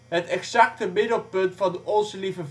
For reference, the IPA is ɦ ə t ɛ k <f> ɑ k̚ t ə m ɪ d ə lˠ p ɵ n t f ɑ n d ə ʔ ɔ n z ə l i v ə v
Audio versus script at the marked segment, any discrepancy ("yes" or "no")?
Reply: yes